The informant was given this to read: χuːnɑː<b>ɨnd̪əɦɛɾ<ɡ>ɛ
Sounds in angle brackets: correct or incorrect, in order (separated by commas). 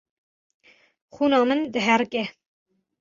incorrect, incorrect